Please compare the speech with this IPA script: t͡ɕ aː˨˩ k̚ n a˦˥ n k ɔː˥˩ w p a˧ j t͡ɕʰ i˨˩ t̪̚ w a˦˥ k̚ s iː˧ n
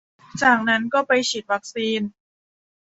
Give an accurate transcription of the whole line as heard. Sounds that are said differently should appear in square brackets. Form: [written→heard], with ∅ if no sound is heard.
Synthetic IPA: t͡ɕ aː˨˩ k̚ n a˦˥ n k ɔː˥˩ [w→∅] p a˧ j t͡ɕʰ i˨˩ t̪̚ w a˦˥ k̚ s iː˧ n